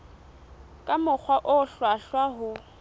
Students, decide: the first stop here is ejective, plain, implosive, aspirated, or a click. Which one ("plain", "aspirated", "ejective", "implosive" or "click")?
ejective